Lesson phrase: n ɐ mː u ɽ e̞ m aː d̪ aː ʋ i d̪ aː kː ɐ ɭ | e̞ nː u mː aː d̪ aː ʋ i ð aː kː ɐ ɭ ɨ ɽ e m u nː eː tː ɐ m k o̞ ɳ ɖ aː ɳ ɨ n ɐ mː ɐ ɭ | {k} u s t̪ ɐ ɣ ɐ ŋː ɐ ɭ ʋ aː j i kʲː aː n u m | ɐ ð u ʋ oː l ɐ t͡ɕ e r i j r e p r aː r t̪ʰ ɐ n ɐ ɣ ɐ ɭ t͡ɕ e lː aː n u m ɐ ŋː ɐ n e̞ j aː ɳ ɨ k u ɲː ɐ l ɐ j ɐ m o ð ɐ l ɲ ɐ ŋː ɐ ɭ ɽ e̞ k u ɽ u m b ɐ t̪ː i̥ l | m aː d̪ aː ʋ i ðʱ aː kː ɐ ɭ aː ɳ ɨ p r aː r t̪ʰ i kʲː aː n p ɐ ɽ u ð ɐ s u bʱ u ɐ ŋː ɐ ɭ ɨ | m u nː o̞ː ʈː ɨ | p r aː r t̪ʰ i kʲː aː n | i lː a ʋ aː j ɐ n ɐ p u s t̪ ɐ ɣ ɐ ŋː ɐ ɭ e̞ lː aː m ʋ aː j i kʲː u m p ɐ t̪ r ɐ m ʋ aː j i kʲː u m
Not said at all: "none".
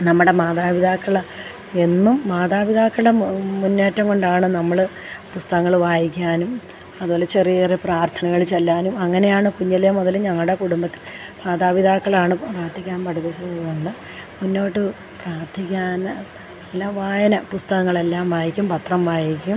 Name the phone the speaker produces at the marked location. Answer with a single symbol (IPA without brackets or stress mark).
p